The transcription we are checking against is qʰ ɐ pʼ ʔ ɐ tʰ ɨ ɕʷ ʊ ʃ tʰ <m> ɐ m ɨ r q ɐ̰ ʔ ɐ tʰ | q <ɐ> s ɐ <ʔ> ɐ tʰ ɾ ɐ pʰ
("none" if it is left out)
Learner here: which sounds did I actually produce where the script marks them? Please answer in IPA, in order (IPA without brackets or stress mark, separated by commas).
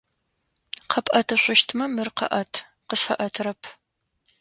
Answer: m, ə, ʔ